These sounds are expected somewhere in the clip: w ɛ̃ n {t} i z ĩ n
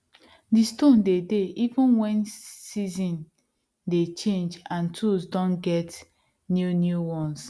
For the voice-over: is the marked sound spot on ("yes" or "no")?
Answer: no